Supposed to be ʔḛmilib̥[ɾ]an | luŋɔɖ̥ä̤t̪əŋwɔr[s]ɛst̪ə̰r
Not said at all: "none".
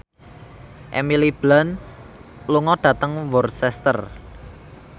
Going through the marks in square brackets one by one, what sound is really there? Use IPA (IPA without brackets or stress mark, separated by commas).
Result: l, s